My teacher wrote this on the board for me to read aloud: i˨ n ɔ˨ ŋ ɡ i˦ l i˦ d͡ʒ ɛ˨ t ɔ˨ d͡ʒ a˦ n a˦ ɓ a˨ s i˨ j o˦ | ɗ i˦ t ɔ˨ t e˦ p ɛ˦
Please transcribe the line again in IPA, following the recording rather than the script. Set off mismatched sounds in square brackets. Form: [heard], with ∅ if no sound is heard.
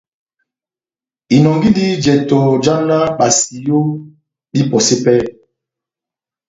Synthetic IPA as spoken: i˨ n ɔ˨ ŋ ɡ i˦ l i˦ d͡ʒ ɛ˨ t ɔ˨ d͡ʒ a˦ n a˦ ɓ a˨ s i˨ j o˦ | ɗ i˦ [p] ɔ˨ [s] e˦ p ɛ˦